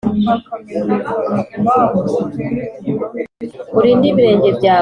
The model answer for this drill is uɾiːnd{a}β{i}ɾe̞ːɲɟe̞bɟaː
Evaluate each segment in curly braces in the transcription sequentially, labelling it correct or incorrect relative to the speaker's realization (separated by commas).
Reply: incorrect, correct